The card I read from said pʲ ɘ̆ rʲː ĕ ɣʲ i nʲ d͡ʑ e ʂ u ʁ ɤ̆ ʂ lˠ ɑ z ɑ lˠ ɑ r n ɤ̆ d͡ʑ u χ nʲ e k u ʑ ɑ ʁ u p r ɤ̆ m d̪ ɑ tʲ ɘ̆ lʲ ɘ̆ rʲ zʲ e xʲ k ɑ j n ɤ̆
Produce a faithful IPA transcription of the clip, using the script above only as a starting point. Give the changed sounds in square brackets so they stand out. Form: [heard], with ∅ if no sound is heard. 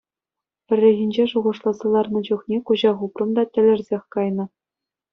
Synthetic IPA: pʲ ɘ̆ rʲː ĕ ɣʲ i nʲ d͡ʑ e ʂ u ʁ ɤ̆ ʂ lˠ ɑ z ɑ lˠ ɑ r n ɤ̆ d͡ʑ u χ nʲ e k u ʑ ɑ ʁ u p r ɤ̆ m d̪ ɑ tʲ ɘ̆ lʲ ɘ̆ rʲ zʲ e xʲ k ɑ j n ɤ̆